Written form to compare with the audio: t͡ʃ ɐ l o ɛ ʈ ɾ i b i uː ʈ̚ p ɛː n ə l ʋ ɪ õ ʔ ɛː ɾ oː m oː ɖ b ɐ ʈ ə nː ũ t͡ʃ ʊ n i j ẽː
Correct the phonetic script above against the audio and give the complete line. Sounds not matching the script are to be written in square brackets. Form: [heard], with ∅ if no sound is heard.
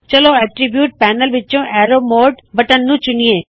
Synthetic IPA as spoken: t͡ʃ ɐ l o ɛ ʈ ɾ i b [j] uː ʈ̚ p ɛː n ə l ʋ ɪ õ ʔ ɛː ɾ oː m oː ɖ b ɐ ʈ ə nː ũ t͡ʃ ʊ n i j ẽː